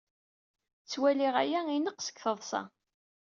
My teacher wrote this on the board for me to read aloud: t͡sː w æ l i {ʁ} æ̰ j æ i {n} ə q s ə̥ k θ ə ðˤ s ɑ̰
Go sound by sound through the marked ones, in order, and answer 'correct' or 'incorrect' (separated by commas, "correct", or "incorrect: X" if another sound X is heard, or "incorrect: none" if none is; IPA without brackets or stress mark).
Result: correct, correct